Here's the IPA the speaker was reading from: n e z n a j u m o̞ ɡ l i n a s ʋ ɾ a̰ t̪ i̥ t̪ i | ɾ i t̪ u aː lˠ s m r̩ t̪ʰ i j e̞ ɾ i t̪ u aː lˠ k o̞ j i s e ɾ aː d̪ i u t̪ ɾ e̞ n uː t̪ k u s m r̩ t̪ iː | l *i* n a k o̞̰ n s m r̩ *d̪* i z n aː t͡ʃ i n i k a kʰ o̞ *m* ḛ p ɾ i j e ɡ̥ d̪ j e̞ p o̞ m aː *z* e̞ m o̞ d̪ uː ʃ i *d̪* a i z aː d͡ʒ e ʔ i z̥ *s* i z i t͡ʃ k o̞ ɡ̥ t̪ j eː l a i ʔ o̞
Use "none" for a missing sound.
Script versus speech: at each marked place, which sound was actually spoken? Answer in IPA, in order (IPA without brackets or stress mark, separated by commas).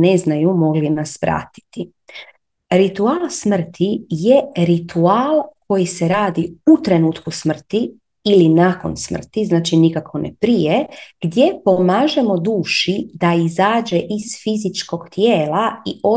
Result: i, t̪, n, ʒ, d̪, f